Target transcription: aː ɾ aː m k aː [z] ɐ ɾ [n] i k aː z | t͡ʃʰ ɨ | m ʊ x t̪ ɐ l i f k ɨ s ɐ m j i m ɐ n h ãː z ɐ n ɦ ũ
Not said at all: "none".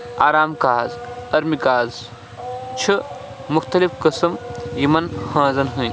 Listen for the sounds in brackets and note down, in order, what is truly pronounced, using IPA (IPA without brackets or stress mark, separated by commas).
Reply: z, m